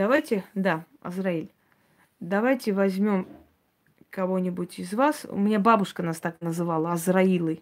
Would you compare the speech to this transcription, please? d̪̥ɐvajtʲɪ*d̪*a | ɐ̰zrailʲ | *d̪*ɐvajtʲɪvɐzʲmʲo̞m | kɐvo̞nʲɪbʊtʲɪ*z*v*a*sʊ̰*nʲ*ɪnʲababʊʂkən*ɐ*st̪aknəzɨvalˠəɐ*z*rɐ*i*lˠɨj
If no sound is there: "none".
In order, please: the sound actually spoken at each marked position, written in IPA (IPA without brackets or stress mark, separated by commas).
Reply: d̪, d̪, z, a, mʲ, a, z, i